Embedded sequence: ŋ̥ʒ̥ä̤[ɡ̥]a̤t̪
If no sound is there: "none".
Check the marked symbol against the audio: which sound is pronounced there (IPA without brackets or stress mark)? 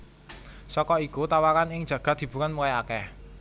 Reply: ɡ̥